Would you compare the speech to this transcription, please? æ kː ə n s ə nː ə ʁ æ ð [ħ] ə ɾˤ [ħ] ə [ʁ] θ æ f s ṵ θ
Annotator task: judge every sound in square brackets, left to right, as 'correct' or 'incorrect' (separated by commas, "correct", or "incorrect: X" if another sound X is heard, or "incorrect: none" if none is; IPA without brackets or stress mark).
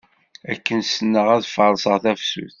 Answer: incorrect: f, incorrect: s, correct